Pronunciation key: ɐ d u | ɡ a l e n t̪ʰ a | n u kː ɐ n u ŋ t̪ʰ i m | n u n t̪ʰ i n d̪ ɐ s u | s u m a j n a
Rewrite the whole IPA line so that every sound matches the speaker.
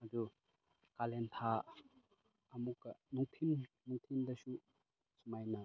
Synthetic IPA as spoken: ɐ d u | k a l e n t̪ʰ a | m u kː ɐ n u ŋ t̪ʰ i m | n u ŋ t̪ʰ i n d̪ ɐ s u | s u m a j n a